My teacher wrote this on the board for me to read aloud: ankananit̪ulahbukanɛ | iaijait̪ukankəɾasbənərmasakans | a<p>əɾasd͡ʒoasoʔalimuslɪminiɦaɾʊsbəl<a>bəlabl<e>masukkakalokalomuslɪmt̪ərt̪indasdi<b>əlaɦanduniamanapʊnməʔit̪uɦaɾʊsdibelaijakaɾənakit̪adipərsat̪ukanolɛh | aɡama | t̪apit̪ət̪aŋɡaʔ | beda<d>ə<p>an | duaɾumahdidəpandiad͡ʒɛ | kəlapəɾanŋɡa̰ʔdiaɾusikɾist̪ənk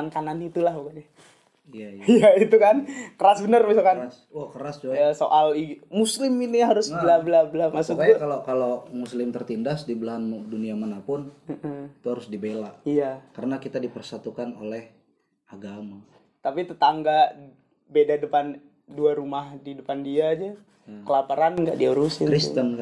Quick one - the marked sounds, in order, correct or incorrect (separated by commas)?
incorrect, correct, incorrect, correct, correct, correct